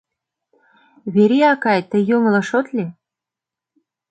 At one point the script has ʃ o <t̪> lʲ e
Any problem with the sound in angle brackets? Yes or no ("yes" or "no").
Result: no